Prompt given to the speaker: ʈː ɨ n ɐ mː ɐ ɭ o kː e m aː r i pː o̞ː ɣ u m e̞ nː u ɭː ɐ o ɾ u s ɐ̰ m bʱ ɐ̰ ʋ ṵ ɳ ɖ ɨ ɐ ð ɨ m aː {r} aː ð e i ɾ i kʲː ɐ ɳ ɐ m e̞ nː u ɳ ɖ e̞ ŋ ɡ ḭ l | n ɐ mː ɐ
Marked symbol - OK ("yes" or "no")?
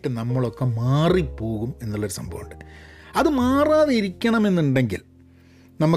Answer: yes